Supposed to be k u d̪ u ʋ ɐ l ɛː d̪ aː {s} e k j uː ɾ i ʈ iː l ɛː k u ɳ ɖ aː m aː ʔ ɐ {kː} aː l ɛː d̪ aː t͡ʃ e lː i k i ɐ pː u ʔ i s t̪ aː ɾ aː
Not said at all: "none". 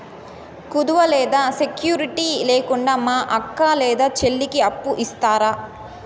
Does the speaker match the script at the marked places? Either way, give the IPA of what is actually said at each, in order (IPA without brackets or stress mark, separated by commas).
s, kː